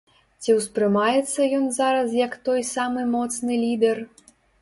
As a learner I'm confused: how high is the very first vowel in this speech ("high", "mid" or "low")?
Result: high